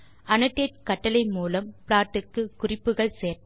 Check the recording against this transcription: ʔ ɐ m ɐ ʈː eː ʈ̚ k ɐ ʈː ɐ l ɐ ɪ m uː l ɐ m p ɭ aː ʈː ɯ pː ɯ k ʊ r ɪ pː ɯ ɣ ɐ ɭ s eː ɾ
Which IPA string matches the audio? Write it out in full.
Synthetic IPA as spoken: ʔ ɐ n ɐ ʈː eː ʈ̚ k ɐ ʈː ɐ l ɐ ɪ m uː l ɐ m p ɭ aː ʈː ɯ kː ɯ k ʊ r ɪ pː ɯ ɣ ɐ ɭ s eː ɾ